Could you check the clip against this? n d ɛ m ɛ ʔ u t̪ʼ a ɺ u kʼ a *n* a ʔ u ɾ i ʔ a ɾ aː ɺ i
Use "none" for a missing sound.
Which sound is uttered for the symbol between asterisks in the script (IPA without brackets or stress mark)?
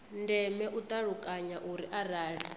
ɲ